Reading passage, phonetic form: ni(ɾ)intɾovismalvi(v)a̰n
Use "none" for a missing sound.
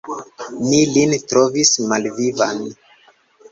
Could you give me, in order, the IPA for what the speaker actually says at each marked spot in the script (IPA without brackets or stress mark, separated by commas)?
l, v